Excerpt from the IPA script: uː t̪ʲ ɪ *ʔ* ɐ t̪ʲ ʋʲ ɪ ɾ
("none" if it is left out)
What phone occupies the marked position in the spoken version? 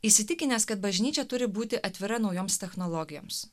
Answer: ʔ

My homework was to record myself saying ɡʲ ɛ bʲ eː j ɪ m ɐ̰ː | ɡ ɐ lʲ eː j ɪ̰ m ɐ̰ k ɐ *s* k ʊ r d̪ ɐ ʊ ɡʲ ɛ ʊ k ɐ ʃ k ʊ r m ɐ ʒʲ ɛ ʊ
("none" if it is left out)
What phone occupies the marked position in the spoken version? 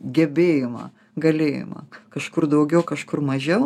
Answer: ʃ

